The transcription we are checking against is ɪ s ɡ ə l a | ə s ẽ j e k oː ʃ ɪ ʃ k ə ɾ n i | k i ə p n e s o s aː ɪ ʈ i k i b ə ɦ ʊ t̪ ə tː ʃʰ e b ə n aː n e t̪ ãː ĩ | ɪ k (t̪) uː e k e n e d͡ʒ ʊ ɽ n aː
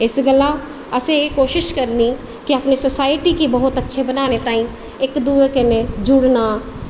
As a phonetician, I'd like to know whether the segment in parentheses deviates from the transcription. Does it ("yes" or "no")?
yes